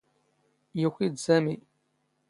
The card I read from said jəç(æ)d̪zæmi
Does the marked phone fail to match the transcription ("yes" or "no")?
yes